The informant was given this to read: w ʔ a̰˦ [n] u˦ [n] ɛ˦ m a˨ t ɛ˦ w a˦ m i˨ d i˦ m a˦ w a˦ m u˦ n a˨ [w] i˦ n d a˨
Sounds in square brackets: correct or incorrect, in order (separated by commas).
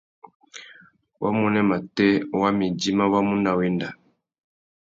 incorrect, correct, correct